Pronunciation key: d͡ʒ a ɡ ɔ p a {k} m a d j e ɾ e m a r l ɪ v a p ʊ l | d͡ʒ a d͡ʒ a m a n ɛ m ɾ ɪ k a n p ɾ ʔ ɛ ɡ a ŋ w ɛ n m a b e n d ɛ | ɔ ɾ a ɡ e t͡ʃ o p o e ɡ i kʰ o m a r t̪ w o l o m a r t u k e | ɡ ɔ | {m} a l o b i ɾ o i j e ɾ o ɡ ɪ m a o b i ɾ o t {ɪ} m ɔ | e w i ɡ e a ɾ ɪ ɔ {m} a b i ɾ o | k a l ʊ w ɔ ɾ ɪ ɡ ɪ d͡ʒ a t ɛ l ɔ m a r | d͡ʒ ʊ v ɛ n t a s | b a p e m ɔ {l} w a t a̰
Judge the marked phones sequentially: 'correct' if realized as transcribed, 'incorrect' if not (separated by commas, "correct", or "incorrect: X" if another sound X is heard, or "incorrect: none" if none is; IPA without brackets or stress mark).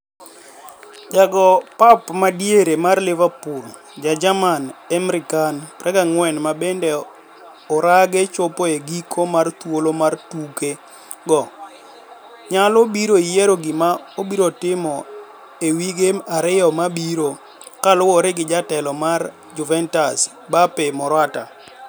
incorrect: p, incorrect: ɲ, correct, correct, incorrect: ɾ